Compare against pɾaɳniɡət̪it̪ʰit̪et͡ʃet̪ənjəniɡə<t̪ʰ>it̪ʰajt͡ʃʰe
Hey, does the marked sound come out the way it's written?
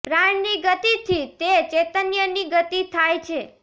no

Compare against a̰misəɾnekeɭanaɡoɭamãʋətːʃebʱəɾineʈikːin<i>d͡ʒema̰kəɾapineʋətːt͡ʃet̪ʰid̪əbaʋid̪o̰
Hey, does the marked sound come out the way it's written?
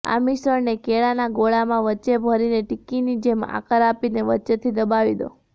yes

